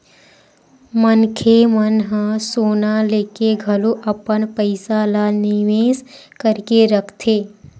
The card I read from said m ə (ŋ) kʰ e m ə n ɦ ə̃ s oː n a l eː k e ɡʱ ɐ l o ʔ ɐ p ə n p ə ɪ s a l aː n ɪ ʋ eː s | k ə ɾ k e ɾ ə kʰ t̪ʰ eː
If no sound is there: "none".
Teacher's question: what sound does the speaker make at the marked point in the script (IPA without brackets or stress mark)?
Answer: n